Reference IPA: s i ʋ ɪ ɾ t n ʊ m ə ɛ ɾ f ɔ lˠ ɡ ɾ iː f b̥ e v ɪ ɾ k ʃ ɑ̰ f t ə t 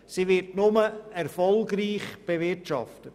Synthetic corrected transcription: s i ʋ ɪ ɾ t n ʊ m ə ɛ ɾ f ɔ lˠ ɡ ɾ iː χ b̥ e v ɪ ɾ t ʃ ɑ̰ f t ə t